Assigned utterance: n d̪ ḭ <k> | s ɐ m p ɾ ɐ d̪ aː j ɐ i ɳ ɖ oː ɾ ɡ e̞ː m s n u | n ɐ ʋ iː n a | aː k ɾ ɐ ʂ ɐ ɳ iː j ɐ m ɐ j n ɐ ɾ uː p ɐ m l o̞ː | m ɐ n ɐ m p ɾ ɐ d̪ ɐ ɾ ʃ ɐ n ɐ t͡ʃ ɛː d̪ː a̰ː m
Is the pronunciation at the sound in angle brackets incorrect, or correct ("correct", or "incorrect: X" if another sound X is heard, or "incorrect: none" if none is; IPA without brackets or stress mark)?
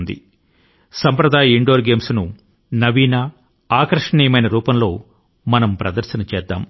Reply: incorrect: none